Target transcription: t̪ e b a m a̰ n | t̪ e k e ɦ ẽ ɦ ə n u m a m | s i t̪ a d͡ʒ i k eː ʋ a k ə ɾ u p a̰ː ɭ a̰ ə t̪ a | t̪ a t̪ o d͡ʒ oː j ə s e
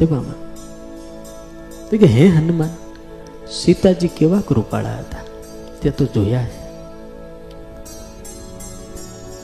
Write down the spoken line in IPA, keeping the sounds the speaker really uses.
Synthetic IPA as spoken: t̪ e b a m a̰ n | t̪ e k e ɦ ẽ ɦ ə n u m a n | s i t̪ a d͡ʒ i k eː ʋ a k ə ɾ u p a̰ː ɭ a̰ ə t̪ a | t̪ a t̪ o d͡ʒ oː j a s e